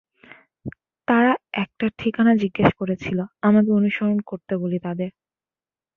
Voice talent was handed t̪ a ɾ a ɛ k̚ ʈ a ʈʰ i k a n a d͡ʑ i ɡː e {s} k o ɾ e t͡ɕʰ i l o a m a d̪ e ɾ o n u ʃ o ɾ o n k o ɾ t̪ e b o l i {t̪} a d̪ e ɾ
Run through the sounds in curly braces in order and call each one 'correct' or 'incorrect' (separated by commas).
incorrect, correct